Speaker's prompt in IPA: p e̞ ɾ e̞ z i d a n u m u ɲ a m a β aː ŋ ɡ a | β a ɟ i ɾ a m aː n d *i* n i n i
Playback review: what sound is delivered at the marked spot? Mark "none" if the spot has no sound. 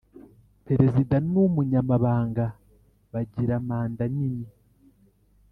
a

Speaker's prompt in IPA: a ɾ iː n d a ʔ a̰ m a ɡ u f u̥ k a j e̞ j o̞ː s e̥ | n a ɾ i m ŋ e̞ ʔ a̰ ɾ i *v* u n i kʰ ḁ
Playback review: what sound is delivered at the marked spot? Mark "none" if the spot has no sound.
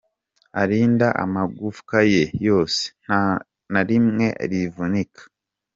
v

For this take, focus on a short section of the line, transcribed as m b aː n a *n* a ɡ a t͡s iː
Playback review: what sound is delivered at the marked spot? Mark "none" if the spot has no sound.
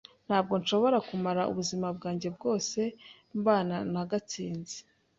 n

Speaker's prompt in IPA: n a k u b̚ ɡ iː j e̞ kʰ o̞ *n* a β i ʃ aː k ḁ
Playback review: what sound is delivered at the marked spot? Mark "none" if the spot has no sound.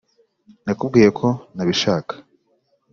n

